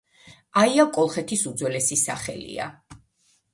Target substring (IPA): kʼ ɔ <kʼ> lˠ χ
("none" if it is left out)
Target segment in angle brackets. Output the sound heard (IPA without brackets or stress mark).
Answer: none